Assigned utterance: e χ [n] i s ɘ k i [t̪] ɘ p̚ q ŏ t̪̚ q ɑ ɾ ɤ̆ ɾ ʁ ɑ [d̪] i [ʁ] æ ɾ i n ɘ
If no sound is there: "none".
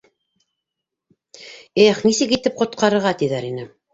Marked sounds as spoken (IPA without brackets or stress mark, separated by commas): n, t̪, t̪, ð